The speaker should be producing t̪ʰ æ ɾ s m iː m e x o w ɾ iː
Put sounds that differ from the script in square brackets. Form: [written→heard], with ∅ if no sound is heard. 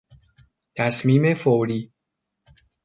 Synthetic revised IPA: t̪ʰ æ [ɾ→∅] s m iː m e [x→f] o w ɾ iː